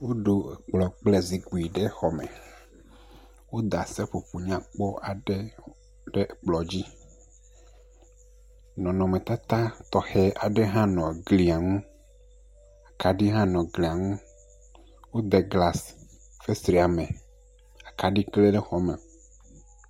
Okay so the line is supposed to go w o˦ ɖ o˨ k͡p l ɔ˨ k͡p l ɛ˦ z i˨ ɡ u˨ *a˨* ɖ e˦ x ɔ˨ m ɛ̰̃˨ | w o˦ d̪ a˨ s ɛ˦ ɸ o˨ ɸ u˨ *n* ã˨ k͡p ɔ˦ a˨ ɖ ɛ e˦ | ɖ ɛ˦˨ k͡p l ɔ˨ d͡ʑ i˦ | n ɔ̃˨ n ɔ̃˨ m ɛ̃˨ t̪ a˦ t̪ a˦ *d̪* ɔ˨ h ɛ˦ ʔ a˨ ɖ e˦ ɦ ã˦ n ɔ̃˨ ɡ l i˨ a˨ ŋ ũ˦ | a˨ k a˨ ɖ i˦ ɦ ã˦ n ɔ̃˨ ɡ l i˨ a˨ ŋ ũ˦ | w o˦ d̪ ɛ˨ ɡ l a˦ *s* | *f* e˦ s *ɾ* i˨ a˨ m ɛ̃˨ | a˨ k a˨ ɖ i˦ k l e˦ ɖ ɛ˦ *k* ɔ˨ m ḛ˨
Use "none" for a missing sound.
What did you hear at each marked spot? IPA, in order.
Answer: i˨, ɲ, t̪, s, f, ɾ, x

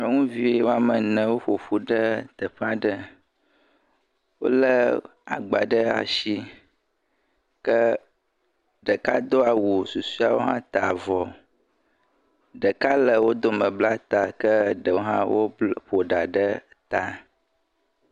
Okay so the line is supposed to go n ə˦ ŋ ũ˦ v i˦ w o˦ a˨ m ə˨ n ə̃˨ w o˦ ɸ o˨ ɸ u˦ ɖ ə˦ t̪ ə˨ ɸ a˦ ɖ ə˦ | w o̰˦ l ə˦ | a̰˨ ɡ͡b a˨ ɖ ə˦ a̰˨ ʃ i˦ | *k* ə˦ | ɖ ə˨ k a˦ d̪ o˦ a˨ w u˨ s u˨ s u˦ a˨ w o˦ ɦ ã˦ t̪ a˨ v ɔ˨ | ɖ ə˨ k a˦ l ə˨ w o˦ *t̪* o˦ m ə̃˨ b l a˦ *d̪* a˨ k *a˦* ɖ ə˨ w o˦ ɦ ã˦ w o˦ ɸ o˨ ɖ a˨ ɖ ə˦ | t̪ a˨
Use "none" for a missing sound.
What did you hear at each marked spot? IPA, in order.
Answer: k, d̪, t̪, ə˦

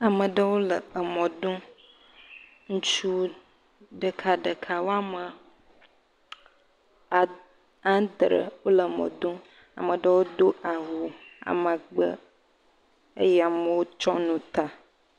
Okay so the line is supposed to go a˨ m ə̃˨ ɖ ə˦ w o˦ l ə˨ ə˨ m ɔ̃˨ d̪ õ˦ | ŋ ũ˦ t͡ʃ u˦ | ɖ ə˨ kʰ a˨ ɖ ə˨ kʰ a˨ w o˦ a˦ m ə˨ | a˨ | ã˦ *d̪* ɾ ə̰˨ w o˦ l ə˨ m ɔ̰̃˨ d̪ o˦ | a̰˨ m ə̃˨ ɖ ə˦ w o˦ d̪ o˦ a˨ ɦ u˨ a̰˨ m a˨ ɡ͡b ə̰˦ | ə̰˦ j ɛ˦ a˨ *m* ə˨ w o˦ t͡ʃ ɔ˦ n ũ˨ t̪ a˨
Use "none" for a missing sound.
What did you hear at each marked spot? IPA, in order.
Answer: d̪, m

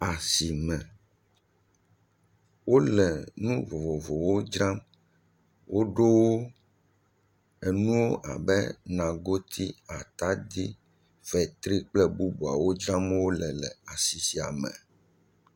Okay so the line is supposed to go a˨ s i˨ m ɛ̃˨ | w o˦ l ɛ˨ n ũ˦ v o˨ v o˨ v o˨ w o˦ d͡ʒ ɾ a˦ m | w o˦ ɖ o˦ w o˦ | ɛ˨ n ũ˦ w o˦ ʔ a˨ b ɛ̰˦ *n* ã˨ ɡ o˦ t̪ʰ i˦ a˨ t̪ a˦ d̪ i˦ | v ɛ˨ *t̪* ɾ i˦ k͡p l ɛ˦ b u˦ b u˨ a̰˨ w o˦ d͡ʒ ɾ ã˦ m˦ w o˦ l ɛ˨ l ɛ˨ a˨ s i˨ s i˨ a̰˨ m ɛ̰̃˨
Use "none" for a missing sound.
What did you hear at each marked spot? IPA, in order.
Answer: n, t̪

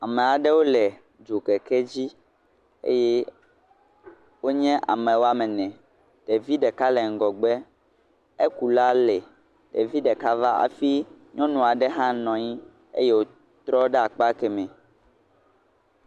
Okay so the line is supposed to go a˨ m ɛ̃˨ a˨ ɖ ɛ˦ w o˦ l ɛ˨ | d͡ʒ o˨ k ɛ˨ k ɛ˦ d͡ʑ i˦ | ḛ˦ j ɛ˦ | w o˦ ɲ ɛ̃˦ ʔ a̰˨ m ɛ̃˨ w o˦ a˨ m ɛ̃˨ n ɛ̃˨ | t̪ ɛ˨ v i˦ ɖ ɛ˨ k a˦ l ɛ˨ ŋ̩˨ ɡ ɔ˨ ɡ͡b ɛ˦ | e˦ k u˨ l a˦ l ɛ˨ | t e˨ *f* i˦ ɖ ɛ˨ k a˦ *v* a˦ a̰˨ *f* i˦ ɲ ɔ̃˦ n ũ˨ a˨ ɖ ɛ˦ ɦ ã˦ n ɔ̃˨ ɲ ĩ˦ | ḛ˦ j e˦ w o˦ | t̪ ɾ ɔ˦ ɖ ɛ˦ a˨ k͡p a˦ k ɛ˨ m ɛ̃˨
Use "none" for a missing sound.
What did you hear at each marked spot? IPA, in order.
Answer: v, v, f

